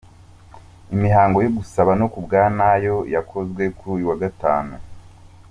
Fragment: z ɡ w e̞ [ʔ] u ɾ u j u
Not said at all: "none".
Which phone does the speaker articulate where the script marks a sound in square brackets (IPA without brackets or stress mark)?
k